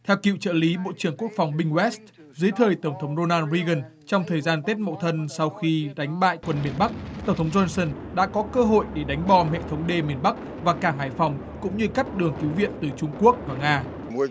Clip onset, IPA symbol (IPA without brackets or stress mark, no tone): t̪ʰ